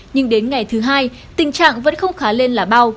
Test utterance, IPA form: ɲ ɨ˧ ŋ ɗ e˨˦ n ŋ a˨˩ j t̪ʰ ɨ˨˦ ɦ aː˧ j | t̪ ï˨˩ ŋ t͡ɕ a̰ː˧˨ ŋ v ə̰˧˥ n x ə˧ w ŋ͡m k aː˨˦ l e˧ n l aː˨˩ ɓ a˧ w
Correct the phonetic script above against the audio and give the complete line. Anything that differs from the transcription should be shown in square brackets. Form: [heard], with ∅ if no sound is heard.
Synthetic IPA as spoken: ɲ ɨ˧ ŋ ɗ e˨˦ n ŋ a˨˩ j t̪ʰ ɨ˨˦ ɦ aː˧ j | t̪ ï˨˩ ŋ t͡ɕ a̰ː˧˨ ŋ v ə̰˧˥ n x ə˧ w ŋ͡m [x] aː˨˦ l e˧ n l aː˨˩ ɓ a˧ w